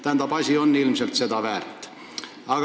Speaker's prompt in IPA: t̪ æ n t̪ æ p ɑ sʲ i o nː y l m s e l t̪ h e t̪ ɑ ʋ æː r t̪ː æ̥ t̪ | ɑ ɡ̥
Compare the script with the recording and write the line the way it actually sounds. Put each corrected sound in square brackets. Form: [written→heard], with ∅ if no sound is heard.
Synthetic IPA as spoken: t̪ æ n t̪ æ p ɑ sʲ i o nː [y→i] l m s e l t̪ [h→s] e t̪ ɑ ʋ æː r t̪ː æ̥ [t̪→∅] | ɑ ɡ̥